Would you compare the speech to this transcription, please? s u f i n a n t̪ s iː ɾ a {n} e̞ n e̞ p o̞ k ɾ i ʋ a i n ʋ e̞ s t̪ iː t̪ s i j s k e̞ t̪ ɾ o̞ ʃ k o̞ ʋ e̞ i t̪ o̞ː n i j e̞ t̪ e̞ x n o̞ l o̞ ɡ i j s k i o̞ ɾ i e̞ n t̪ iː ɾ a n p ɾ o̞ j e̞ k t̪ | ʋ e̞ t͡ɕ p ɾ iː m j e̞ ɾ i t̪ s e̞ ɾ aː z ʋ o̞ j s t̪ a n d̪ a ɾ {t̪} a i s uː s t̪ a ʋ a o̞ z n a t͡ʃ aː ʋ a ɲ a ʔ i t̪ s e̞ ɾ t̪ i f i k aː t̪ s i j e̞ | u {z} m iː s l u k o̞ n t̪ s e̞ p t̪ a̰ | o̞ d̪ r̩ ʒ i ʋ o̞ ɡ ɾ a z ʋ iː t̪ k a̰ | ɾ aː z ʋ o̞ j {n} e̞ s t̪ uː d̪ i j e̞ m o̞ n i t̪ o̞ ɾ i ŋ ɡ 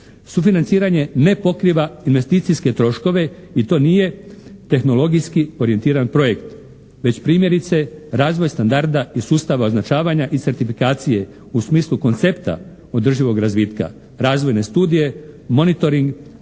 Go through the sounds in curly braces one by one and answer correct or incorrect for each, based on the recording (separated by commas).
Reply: incorrect, incorrect, incorrect, correct